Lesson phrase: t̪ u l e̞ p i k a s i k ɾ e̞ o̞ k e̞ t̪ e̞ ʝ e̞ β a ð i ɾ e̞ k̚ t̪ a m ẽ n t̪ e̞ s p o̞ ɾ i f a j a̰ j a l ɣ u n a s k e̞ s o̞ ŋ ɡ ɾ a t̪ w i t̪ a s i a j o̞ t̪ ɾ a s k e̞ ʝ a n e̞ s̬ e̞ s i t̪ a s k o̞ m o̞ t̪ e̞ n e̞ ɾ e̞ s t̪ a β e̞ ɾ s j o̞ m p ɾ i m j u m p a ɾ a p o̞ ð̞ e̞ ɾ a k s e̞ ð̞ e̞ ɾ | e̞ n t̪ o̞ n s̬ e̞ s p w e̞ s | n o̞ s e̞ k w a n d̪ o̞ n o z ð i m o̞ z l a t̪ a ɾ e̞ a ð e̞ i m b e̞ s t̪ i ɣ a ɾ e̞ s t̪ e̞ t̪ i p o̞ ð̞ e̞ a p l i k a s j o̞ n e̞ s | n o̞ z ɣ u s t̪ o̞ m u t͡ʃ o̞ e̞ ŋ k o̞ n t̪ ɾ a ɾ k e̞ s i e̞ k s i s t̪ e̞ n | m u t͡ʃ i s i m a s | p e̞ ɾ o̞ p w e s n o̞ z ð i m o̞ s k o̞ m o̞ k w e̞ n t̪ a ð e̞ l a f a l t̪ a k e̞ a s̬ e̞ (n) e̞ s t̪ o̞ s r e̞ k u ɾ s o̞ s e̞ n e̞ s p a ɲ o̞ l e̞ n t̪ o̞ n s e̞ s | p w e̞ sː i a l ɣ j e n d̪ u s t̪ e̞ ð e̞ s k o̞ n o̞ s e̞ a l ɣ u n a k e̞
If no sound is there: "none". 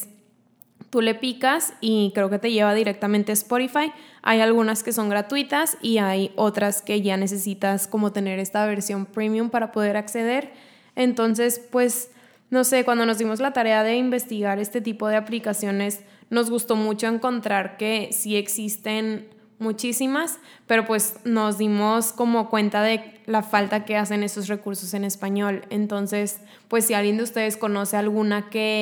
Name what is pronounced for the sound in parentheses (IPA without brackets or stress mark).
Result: n